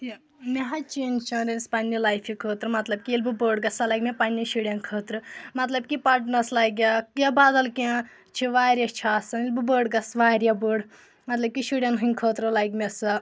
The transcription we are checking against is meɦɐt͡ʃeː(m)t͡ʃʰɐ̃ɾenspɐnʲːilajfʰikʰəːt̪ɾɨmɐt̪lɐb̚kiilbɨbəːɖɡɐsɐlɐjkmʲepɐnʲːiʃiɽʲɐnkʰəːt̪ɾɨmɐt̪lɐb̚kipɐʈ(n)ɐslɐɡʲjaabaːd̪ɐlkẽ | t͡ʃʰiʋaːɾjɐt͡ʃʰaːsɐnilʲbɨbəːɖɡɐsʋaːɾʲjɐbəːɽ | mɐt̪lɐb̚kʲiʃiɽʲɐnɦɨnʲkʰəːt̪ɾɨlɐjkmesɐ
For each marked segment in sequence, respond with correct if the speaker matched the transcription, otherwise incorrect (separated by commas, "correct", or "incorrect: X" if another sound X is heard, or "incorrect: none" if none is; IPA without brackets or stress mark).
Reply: incorrect: n, correct